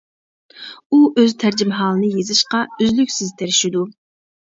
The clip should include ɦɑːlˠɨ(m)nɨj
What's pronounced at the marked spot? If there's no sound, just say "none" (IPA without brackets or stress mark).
none